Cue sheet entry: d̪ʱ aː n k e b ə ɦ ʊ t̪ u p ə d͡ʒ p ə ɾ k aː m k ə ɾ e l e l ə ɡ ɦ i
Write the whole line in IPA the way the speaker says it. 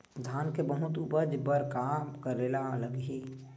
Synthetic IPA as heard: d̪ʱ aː n k e b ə ɦ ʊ t̪ u p ə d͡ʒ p ə ɾ k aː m k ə ɾ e l a l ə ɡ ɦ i

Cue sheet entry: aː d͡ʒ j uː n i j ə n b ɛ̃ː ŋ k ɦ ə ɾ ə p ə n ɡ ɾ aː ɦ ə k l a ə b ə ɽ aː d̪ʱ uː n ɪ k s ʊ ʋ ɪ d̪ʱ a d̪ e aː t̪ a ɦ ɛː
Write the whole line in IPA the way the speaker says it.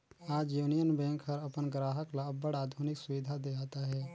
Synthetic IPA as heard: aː d͡ʒ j uː n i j ə n b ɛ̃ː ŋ k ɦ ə ɾ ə p ə n ɡ ɾ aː ɦ ə k l a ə b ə ɽ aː d̪ʱ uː n ɪ k s ʊ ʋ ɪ d̪ʱ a d̪ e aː t̪ a ɦ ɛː

